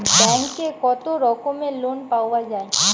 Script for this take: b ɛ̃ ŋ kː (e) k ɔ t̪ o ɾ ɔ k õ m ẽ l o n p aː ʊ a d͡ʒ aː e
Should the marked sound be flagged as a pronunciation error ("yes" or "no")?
no